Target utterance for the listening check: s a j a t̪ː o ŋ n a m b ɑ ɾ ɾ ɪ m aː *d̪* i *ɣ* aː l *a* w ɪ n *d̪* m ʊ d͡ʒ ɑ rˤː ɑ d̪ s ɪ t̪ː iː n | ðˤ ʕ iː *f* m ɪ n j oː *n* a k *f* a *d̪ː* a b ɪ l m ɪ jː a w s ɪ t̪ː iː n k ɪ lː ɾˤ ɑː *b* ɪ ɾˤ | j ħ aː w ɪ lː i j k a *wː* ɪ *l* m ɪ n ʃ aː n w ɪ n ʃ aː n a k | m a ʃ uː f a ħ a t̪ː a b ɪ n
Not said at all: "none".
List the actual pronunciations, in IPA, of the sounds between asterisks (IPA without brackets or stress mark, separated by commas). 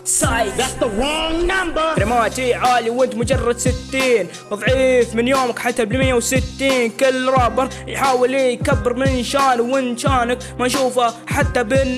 t̪, ʕ, i, t̪, f, m, ħ, t̪ː, b, bː, ɾ